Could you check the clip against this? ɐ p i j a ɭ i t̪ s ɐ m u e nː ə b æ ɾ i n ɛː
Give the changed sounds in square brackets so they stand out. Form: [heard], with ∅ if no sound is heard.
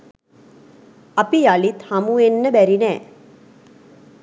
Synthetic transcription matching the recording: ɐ p i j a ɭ i t̪ [h] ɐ m u e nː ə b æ ɾ i n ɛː